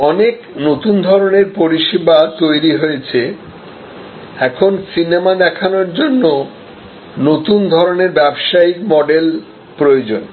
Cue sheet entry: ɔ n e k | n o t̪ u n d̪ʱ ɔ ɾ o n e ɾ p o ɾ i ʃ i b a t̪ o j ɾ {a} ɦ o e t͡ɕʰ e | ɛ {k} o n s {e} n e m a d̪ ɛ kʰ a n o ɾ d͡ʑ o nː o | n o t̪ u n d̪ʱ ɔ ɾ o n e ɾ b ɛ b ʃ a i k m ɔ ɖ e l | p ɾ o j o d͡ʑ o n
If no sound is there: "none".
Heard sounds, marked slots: i, kʰ, i

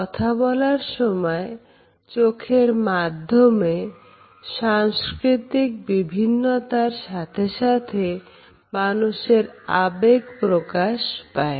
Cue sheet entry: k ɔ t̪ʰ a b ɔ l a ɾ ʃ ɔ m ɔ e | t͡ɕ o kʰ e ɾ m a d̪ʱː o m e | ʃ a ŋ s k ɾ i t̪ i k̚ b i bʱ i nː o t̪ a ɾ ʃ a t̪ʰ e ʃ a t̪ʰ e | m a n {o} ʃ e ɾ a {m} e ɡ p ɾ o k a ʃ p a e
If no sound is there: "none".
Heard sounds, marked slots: u, b

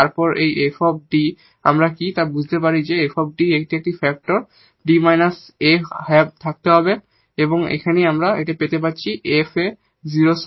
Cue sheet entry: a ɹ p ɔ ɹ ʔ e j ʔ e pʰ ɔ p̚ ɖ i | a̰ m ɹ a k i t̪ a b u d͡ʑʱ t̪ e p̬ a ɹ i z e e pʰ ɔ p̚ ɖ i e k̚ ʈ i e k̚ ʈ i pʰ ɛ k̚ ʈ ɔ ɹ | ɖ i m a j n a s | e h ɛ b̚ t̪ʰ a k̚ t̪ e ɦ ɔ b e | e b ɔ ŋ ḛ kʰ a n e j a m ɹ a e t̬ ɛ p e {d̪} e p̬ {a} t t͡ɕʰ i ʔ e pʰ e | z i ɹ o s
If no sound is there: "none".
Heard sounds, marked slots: t̪, a

